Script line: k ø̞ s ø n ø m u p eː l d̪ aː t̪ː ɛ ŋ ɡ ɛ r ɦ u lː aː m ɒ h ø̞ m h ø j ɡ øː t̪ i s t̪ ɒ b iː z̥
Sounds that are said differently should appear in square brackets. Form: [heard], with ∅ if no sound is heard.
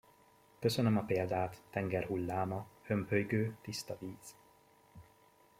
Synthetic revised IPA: k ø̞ s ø n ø m [ɒ] p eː l d̪ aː t̪ː ɛ ŋ ɡ ɛ r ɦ u lː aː m ɒ h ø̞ m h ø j ɡ øː t̪ i s t̪ ɒ [v] iː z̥